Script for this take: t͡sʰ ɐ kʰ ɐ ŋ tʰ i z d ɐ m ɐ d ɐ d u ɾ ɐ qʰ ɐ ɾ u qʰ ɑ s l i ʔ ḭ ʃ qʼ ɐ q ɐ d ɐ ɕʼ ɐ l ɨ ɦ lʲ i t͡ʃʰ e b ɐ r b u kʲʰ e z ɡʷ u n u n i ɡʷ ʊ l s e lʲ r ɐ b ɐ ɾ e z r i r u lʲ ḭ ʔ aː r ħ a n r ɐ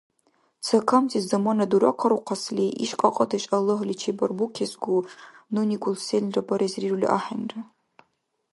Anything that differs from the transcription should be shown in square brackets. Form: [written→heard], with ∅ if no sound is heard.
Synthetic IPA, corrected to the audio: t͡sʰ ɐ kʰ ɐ [ŋ→m] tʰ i z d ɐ m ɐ [d→n] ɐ d u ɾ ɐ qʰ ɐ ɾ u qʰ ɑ s l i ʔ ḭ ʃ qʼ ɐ [q→qʼ] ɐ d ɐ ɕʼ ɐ l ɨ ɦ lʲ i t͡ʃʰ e b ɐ r b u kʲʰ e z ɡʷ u n u n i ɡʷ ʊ l s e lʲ r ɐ b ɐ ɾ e z r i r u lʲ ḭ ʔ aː [r→∅] ħ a n r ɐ